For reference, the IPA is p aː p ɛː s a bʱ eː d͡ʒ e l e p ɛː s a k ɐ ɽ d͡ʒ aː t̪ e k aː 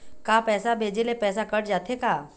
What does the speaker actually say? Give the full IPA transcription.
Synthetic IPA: k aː p ɛː s a bʱ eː d͡ʒ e l e p ɛː s a k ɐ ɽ d͡ʒ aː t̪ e k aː